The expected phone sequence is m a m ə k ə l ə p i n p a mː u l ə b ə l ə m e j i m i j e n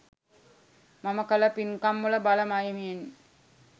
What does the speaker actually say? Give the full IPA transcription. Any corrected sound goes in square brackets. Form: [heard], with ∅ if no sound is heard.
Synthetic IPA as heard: m a m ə k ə l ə p i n [k] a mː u l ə b [a] l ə m [a] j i m i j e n

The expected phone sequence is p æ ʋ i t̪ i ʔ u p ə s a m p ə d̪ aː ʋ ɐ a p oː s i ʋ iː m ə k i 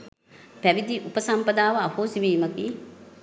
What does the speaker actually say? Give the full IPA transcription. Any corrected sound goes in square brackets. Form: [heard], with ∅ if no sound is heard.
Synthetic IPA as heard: p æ ʋ i [d̪] i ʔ u p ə s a m p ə d̪ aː ʋ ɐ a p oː s i ʋ iː m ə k i

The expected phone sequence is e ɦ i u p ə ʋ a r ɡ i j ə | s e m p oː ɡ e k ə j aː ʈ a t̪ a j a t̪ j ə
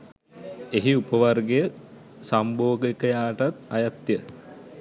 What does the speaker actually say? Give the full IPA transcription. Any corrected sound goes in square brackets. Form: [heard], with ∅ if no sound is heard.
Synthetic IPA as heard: e ɦ i u p ə ʋ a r ɡ [e] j ə | s [a] m [b] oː ɡ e k ə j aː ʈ a t̪ a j a t̪ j ə

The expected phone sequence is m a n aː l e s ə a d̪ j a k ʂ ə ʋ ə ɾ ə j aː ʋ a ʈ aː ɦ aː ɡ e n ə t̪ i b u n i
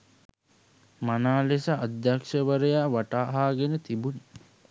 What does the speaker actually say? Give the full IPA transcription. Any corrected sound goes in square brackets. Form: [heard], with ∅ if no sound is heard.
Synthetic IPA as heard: m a n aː l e s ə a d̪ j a k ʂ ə ʋ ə ɾ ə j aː ʋ a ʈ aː ɦ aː ɡ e n ə t̪ i b u n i

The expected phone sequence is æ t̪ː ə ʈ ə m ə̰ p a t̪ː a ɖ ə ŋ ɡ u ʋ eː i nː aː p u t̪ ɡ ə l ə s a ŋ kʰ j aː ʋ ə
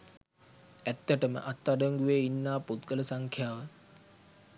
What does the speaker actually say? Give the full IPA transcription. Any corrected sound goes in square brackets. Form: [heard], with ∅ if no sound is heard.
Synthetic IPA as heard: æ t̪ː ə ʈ ə m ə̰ [ʔ] a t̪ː a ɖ ə ŋ ɡ u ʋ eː i nː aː p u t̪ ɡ ə l ə s a ŋ kʰ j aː ʋ ə

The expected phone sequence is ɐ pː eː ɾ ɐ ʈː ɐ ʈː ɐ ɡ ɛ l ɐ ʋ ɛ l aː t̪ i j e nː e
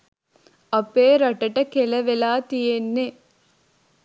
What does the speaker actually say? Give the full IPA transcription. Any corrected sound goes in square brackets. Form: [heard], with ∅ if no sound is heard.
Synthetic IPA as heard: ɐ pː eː ɾ ɐ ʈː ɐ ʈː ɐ [k] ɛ l ɐ ʋ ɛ l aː t̪ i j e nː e

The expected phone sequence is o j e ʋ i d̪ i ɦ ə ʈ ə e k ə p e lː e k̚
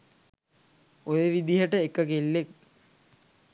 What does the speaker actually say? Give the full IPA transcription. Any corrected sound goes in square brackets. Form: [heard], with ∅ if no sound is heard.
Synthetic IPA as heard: o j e ʋ i d̪ i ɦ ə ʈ ə e k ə [k] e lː e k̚

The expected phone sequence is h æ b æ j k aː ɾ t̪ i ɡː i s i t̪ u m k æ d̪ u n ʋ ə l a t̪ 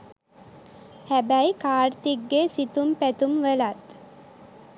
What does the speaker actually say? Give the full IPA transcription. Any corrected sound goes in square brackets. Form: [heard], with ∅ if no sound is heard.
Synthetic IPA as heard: h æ b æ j k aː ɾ t̪ i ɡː [e] s i t̪ u m [p] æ [t̪] u [m] ʋ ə l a t̪

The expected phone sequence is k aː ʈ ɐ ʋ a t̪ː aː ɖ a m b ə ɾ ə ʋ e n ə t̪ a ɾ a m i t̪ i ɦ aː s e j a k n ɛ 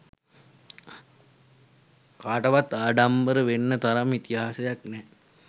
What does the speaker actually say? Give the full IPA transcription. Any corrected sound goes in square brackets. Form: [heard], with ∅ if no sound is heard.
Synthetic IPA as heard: k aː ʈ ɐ ʋ a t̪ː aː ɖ a m b ə ɾ ə ʋ e [nː] ə t̪ a ɾ a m i t̪ i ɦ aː s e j a k n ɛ

